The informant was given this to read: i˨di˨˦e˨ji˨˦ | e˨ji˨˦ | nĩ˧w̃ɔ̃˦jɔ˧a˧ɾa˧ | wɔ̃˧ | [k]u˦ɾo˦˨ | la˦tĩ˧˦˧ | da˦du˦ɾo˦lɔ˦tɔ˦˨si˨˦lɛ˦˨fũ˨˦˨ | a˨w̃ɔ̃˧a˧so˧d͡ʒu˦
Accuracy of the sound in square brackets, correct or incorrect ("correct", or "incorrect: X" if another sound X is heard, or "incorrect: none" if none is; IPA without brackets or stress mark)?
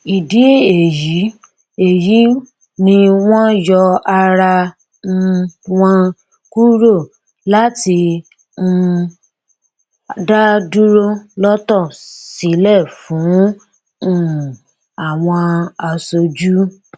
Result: correct